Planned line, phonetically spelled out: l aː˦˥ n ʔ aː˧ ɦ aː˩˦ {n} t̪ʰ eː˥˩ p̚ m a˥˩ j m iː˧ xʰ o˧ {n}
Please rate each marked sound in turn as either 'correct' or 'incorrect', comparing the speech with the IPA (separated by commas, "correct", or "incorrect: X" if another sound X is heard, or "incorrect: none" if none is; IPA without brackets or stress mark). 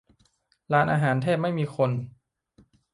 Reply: correct, correct